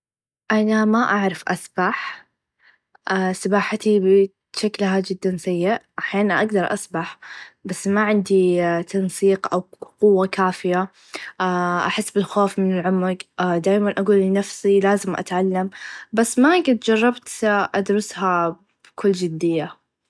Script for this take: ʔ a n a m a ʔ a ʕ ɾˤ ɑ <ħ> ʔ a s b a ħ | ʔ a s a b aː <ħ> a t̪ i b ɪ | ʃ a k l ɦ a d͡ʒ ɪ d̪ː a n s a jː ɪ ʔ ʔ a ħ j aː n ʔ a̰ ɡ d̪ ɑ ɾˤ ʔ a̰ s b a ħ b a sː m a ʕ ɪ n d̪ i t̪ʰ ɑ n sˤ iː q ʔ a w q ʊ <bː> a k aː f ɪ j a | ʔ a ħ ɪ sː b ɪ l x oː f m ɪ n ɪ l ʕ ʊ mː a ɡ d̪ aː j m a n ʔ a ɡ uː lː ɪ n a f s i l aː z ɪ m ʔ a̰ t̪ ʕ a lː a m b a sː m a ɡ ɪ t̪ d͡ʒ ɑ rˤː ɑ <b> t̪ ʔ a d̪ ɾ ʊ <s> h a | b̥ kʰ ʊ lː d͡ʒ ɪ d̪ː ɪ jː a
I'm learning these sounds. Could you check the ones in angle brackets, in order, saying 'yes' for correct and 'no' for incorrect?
no, yes, no, yes, yes

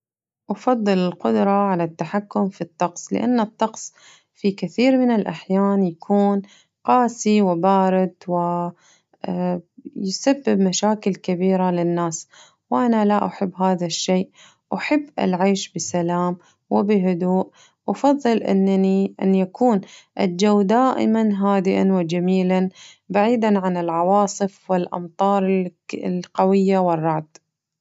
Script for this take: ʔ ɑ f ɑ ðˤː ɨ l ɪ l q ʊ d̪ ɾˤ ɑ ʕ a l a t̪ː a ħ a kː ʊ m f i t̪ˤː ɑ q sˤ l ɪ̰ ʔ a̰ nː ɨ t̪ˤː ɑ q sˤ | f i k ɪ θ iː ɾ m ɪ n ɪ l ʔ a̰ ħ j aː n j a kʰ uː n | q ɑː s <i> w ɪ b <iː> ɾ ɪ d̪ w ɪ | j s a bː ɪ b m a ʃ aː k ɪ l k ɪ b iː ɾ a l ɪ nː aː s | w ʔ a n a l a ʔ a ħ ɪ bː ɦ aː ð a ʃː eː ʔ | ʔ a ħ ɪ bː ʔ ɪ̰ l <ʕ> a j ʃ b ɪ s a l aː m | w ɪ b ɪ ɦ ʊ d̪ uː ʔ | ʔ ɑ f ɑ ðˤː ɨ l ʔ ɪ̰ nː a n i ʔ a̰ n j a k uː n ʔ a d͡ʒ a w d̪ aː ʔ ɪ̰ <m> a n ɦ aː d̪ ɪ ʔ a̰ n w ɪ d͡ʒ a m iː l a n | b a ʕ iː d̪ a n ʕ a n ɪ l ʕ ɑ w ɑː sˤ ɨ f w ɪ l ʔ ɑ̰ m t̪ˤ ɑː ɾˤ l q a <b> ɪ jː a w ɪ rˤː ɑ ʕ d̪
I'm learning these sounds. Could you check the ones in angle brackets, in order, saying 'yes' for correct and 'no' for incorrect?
yes, no, yes, yes, no

